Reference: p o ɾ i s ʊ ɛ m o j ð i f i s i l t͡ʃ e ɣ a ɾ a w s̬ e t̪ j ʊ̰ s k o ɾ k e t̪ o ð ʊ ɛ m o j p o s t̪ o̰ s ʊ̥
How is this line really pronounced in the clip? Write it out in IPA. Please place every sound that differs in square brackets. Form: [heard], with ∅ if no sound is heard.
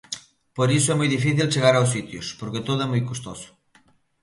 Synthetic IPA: p o ɾ i s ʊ ɛ m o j ð i f i [θ] i l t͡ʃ e ɣ a ɾ a w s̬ [i] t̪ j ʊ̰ s [p] o ɾ k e t̪ o ð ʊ ɛ m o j [k] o s t̪ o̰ s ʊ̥